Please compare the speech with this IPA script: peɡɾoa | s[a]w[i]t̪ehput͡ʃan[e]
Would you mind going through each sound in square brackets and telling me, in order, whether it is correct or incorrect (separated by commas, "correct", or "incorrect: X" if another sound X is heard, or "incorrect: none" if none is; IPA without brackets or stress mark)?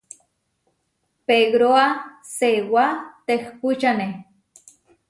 incorrect: e, incorrect: a, correct